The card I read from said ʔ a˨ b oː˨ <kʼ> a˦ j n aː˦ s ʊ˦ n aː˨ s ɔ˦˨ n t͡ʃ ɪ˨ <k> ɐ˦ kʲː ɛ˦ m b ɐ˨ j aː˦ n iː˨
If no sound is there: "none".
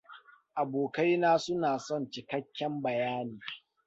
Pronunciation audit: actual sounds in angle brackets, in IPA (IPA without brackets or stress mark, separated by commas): k, k